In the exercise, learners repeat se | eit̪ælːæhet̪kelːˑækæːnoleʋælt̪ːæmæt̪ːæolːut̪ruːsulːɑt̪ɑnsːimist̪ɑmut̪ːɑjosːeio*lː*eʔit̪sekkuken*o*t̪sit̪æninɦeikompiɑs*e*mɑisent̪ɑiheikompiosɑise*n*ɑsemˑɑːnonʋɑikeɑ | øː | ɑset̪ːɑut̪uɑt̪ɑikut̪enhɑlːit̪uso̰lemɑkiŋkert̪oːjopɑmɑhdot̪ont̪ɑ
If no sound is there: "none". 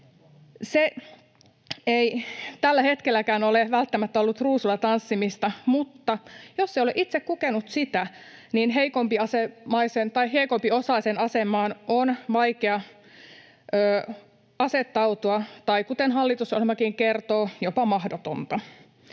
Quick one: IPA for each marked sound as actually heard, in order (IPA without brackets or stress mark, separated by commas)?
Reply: l, u, e, n